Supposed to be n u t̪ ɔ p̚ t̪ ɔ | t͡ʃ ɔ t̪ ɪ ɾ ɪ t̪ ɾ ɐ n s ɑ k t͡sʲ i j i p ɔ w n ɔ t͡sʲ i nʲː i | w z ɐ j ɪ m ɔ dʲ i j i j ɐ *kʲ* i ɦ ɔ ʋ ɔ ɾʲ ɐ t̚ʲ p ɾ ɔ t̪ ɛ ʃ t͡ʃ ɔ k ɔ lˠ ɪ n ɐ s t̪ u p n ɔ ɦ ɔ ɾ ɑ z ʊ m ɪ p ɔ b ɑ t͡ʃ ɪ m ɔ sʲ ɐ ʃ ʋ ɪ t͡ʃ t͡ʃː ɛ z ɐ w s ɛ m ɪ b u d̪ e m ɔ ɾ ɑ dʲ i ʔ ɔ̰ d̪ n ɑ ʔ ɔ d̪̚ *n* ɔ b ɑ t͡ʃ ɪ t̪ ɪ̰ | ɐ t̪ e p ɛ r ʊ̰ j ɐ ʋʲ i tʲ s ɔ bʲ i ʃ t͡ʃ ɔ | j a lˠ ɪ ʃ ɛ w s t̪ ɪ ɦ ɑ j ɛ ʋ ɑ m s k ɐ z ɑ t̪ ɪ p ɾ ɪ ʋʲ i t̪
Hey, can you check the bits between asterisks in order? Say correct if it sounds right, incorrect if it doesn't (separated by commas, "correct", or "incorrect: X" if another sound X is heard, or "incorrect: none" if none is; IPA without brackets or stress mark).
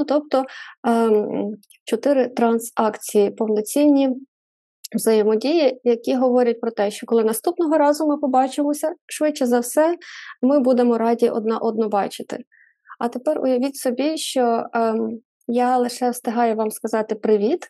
correct, correct